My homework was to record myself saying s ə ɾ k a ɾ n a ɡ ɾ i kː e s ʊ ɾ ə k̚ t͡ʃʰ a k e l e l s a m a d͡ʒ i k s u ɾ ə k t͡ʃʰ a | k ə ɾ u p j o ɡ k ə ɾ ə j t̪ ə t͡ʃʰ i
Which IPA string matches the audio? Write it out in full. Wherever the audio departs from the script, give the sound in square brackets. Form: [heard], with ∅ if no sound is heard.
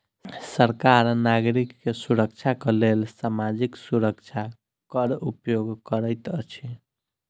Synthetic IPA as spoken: s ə ɾ k a ɾ n a ɡ ɾ i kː e s [u] ɾ ə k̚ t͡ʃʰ a k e l e l s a m a d͡ʒ i k s u ɾ ə k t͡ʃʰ a | k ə ɾ u p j o ɡ k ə ɾ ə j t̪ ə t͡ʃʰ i